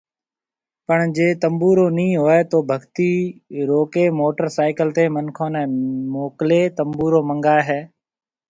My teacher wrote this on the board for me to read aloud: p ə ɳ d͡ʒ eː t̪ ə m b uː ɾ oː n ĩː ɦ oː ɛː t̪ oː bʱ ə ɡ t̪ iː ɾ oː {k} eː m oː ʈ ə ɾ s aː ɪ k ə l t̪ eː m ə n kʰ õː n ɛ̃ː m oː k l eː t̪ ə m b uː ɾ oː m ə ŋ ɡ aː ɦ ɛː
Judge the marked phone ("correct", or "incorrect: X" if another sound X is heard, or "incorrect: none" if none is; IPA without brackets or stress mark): correct